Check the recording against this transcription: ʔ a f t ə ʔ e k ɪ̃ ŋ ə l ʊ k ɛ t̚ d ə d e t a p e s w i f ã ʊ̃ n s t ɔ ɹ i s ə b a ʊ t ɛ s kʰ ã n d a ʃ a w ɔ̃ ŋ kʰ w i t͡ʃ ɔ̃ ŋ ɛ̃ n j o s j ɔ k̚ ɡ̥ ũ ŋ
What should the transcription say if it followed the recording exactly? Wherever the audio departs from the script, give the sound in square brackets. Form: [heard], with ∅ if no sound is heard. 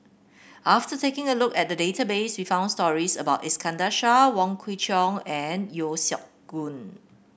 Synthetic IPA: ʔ a f t ə [t] e k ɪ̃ ŋ ə l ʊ k ɛ t̚ d ə d e t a [b] e s w i f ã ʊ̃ n s t ɔ ɹ i s ə b a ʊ t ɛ s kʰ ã n d a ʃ a w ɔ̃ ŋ kʰ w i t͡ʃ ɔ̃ ŋ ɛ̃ n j o s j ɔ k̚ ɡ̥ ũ [n]